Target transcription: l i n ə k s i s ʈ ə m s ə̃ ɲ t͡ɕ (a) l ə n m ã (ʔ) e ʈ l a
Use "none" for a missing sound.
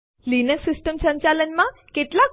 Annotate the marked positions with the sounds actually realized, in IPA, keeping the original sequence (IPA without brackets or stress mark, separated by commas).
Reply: a, k